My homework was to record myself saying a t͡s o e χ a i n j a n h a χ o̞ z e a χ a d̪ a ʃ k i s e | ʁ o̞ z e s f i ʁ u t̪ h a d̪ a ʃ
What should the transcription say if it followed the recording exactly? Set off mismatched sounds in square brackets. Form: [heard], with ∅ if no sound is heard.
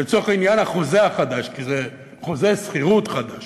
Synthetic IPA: [e] t͡s o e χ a i n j a n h a χ o̞ z e a χ a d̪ a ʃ k i [z] e | [χ] o̞ z e s [χ] i ʁ u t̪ [χ] a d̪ a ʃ

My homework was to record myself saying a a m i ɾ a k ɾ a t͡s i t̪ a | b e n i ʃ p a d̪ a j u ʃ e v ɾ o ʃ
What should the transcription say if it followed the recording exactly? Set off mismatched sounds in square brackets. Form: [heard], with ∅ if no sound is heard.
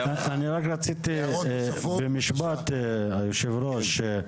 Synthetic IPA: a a [n] i ɾ a k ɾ a t͡s i t̪ [i] | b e [m] i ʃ [b] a [t̪] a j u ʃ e v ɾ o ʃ

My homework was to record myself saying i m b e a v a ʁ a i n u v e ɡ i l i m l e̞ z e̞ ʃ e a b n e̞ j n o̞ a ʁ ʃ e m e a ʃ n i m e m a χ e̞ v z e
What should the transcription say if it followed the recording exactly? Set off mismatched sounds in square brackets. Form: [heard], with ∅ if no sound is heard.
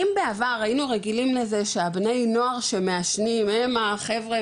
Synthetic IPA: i m b e a v a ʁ a i n u [ʁ] e ɡ i l i m l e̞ z e̞ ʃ e a b n e̞ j n o̞ a ʁ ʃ e m e a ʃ n i m e m a χ e̞ v [ʁ] e

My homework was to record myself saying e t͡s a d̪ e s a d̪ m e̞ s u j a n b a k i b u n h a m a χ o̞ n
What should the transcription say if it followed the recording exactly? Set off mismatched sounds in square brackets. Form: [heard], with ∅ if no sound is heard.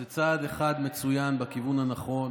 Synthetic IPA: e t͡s a d̪ e [χ] a d̪ m e̞ [t͡s] u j a n b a k i [v] u n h a [n] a χ o̞ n

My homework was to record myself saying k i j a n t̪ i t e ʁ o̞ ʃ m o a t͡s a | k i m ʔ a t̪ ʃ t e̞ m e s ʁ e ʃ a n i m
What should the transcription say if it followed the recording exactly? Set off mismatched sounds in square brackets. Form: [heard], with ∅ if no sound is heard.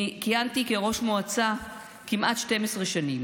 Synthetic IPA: k i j a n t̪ i [k] e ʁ o̞ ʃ m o a t͡s a | k i m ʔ a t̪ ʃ t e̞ m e s ʁ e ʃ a n i m

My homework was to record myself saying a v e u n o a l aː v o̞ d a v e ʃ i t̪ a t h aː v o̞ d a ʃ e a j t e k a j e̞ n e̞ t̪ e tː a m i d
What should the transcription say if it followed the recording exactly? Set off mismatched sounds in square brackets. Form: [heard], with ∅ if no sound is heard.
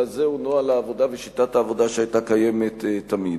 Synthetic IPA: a [z] e u n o a l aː v o̞ d a v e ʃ i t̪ a t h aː v o̞ d a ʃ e a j t [a] k a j e̞ [m] e̞ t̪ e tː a m i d

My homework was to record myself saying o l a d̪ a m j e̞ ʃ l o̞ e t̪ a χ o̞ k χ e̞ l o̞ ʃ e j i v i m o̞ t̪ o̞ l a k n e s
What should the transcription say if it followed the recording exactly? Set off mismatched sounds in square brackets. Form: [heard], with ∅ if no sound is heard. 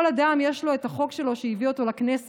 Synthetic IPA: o l a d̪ a m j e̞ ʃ l o̞ e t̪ a χ o̞ k [ʃ] e̞ l o̞ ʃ e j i v i [∅] o̞ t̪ o̞ l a k n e s

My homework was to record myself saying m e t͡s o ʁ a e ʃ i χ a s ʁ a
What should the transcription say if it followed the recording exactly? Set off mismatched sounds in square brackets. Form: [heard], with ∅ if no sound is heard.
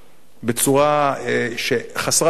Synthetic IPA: [b] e t͡s [u] ʁ a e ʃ [e] χ a s ʁ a

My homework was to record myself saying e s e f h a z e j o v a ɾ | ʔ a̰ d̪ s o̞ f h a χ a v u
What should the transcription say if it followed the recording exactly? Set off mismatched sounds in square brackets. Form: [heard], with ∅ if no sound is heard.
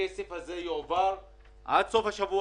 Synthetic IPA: e s e f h a z e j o v a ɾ | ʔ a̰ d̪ s o̞ f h a [ʃ] a v u

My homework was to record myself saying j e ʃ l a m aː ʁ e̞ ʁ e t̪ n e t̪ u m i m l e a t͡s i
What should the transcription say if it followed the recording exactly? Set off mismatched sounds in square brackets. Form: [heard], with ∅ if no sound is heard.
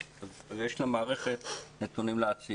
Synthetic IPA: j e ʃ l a m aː ʁ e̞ [χ] e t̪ n e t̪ u [n] i m l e a t͡s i

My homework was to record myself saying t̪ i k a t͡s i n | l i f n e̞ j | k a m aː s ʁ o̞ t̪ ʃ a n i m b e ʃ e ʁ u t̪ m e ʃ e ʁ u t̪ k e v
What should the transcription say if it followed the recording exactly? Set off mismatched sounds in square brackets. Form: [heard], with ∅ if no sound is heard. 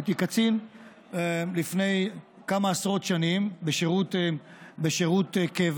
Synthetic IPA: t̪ i k a t͡s i n | l i f n e̞ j | k a m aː s ʁ o̞ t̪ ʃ a n i m b e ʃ e ʁ u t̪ [b] e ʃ e ʁ u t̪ k e v

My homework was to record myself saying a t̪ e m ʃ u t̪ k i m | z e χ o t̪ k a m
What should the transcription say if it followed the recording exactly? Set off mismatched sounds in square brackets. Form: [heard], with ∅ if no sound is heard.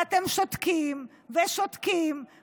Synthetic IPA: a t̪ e m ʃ [o] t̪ k i m | [v] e [ʃ] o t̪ k [i] m

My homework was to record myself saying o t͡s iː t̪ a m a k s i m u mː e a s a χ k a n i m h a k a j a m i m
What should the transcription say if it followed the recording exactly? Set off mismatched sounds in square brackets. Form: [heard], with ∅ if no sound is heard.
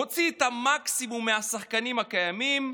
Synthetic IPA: o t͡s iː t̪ a m a k s i m u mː e a s a χ k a n i m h a k a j a m i m

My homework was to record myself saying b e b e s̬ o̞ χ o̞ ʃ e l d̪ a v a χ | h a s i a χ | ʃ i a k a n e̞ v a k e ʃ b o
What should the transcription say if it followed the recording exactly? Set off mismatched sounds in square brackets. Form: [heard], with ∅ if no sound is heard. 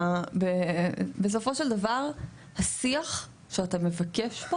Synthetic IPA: b e b e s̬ o̞ [f] o̞ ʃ e l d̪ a v a [ʁ] | h a s i a χ | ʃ [e] a [t] a [m] e̞ v a k e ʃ b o

